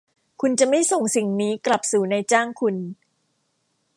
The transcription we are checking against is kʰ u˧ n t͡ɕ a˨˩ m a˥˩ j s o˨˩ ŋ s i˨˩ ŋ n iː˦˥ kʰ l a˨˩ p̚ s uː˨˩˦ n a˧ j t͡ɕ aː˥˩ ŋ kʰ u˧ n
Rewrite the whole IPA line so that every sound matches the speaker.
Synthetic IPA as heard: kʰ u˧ n t͡ɕ a˨˩ m a˥˩ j s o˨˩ ŋ s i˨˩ ŋ n iː˦˥ k l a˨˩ p̚ s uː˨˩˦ n a˧ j t͡ɕ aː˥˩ ŋ kʰ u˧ n